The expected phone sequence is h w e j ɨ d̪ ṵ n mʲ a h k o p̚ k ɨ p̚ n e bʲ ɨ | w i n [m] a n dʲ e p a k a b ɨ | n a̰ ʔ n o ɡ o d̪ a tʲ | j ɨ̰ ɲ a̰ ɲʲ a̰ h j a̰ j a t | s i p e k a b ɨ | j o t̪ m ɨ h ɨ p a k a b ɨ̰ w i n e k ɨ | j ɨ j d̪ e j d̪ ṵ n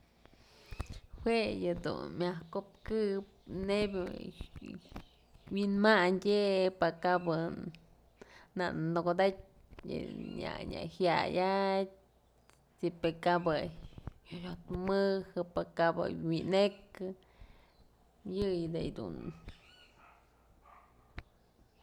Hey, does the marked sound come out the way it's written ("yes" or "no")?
yes